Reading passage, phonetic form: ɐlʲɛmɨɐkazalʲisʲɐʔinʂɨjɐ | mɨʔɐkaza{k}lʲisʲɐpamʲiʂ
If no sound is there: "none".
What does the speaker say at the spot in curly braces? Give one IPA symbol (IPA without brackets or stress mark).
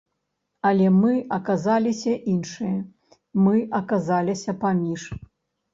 none